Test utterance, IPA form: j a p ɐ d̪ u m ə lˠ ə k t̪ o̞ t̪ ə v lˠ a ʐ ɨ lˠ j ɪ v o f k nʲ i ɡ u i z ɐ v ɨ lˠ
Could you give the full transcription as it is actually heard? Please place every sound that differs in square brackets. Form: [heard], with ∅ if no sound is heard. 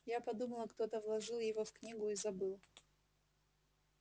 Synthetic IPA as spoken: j a p ɐ d̪ u m ə lˠ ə k t̪ o̞ t̪ ə v lˠ [ɐ] ʐ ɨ lˠ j ɪ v o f k nʲ i ɡ [ʊ] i z ɐ [b] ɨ lˠ